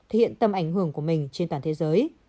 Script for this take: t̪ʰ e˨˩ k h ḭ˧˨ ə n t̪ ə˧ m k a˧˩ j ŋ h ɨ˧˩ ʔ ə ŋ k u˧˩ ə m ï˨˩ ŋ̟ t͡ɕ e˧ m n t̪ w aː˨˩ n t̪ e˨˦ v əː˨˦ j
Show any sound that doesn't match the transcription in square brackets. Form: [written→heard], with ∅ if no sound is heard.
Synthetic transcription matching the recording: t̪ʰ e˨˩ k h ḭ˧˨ ə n t̪ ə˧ m [k→ʔ] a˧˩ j ŋ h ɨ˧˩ [ʔ→∅] ə ŋ k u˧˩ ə m ï˨˩ ŋ̟ t͡ɕ e˧ [m→∅] n t̪ w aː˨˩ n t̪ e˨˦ [v→z] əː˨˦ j